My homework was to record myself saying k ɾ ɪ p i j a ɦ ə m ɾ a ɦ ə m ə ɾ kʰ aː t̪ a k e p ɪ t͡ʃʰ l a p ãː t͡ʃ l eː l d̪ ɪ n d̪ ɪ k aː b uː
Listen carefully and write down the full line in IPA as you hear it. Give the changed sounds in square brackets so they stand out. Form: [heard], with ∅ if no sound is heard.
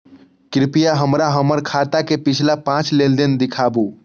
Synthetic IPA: k ɾ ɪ p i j a ɦ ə m ɾ a ɦ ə m ə ɾ kʰ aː t̪ a k e p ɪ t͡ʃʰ l a p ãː t͡ʃ l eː l d̪ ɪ n d̪ ɪ [kʰ] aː b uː